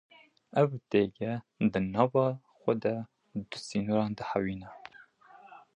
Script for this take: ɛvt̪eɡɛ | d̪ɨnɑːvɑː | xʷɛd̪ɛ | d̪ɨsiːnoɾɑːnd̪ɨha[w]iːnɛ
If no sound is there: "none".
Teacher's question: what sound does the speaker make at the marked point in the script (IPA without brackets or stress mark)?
w